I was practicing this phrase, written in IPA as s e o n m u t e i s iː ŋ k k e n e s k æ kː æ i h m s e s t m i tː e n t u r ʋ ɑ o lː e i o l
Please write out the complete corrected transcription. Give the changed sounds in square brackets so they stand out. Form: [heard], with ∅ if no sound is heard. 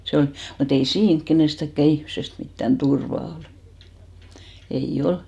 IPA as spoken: s e o n m u t e i s iː ŋ k k e n e s [t] æ kː æ i h m s e s t m i tː [æ] n t u r ʋ ɑ o [l] e i o l